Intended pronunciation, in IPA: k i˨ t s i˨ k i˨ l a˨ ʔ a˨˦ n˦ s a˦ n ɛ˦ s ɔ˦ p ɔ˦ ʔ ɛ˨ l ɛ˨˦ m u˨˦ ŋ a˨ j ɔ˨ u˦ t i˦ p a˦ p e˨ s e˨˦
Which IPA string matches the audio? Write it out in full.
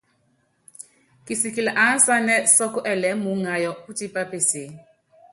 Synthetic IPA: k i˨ s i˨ k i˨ l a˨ ʔ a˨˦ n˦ s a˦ n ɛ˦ s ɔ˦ k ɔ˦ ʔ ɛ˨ l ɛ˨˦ m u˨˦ ŋ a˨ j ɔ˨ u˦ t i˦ p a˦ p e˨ s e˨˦